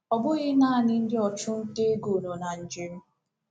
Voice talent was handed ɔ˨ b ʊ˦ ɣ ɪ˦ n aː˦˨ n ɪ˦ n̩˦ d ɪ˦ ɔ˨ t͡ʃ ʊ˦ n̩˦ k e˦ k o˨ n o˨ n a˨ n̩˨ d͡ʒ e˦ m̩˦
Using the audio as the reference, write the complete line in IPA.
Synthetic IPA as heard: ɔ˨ b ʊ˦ ɣ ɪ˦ n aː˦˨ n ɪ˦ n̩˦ d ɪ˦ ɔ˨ t͡ʃ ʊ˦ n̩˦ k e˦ ɡ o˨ n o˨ n a˨ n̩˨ d͡ʒ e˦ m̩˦